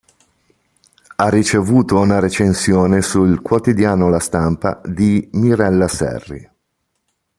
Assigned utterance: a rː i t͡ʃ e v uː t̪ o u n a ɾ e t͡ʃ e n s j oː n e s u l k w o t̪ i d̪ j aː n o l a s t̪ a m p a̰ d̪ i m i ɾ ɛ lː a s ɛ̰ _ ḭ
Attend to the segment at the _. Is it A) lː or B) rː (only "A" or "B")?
B